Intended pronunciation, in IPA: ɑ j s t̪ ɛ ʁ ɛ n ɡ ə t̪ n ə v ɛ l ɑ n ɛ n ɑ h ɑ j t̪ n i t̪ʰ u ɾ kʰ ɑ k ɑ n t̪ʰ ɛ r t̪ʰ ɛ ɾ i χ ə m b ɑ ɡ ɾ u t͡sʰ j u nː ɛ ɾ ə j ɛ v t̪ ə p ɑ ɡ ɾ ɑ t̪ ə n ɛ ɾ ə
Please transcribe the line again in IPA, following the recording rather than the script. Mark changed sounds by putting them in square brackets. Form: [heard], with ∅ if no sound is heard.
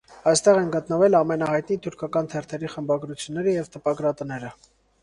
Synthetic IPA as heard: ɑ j s t̪ ɛ ʁ ɛ n ɡ ə t̪ n ə v ɛ l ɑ [m] ɛ n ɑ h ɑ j t̪ n i t̪ʰ u ɾ kʰ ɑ k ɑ n t̪ʰ ɛ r t̪ʰ ɛ ɾ i χ ə m b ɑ ɡ ɾ u t͡sʰ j u nː ɛ ɾ ə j ɛ v t̪ ə p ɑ ɡ ɾ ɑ t̪ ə n ɛ ɾ ə